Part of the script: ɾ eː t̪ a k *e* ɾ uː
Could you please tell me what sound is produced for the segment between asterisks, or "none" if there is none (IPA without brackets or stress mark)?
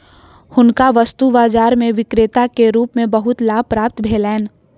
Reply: e